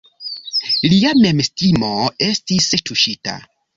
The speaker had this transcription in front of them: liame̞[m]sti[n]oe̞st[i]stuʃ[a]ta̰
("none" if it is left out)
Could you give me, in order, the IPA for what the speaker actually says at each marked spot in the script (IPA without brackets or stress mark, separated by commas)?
m, m, i, i